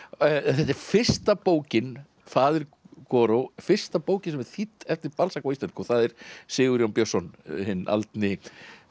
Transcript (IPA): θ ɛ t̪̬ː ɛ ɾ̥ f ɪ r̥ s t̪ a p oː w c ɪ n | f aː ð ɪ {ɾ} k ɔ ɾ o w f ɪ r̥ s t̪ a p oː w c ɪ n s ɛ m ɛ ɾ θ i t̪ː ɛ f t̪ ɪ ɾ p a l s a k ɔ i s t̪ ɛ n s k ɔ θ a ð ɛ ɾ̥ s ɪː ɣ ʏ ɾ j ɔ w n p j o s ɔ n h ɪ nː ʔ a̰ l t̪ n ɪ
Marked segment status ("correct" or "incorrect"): correct